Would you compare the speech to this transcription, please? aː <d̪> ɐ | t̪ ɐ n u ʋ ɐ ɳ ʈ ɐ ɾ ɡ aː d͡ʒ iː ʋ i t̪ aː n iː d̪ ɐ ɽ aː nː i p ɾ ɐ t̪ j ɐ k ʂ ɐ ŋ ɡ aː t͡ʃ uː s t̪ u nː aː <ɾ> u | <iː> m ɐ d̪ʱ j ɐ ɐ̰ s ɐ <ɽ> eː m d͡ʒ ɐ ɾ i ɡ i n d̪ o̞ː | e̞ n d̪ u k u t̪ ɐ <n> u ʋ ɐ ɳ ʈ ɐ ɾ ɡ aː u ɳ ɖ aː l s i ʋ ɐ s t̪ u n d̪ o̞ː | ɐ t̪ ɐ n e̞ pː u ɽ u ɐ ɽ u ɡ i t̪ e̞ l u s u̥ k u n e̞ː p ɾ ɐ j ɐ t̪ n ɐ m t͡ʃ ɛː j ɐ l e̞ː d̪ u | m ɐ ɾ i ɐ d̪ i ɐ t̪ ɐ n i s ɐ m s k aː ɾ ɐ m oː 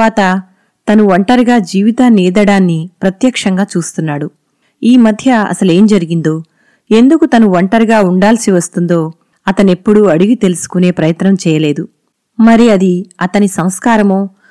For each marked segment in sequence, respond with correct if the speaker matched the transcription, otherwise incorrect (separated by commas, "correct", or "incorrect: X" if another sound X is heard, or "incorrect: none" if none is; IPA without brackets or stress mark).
incorrect: t̪, incorrect: ɽ, correct, incorrect: l, correct